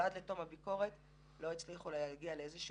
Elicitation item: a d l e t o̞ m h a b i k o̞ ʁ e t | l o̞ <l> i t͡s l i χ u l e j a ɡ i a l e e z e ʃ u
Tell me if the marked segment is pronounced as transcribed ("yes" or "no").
no